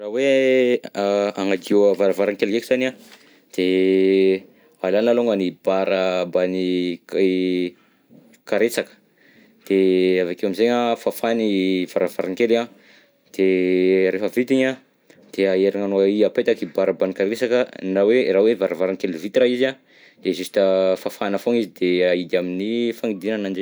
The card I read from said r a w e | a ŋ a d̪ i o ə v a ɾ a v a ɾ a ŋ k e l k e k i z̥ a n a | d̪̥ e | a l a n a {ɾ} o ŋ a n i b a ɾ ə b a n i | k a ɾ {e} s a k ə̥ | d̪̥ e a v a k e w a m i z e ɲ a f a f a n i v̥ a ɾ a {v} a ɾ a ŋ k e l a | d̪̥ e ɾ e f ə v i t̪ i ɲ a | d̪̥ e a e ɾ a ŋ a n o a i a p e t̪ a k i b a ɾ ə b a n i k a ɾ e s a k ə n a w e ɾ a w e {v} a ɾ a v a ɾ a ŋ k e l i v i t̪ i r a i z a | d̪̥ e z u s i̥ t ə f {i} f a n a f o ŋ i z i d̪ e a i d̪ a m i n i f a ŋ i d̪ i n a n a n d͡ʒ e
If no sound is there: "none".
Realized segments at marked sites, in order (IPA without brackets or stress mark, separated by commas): l, e, v, v, a